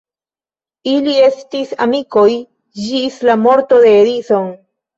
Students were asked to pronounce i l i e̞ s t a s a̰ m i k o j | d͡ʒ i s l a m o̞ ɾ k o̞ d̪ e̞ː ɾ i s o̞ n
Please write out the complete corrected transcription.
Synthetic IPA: i l i e̞ s t i s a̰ m i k o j | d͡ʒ i s l a m o̞ ɾ t o̞ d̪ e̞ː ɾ i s o̞ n